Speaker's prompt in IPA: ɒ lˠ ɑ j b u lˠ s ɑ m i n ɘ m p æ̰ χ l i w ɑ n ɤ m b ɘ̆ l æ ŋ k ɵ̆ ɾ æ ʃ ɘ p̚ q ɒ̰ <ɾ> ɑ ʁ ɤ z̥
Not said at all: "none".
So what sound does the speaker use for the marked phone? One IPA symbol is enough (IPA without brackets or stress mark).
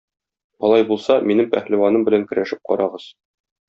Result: ɾ